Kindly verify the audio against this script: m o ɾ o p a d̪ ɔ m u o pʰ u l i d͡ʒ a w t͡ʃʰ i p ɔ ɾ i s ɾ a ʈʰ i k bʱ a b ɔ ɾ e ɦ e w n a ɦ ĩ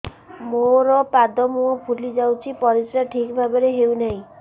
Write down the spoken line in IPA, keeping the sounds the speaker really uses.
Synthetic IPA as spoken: m o ɾ ɔ p a d̪ ɔ m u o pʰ u l i d͡ʒ a w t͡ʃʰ i p ɔ ɾ i s ɾ a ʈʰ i k bʱ a b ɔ ɾ e ɦ e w n a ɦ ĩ